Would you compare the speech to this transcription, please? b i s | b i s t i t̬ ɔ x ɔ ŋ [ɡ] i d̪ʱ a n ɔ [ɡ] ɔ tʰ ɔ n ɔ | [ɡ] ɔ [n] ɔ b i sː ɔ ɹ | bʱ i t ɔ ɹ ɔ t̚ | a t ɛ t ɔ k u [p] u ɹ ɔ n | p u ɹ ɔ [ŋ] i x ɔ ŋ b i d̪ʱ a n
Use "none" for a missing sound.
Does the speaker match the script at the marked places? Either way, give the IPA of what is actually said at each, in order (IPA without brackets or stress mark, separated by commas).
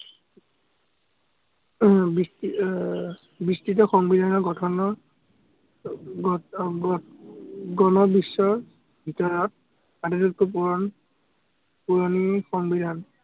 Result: b, ɡ, ɡ, n, p, n